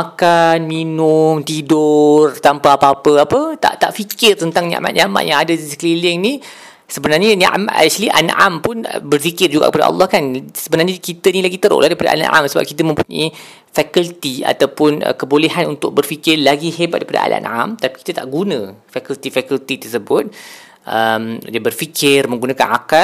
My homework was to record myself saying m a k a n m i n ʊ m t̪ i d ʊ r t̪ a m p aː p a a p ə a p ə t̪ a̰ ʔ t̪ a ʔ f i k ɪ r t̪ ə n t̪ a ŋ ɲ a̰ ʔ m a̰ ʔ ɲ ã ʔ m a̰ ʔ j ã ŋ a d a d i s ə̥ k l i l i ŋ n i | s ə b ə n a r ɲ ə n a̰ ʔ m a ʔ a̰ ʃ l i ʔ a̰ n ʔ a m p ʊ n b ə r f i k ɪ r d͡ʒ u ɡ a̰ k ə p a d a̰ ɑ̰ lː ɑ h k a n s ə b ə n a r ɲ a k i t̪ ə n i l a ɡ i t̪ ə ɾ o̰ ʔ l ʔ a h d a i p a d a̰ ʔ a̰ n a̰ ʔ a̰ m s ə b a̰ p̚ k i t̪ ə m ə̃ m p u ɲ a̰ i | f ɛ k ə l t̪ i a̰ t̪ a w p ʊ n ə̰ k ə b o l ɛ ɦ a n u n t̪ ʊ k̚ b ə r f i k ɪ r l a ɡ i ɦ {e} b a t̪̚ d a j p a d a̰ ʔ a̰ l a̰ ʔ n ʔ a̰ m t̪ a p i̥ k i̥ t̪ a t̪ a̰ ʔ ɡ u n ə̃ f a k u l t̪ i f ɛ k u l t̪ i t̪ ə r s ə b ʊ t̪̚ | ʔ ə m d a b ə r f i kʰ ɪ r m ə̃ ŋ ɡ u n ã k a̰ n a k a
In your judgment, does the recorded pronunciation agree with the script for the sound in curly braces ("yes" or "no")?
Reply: yes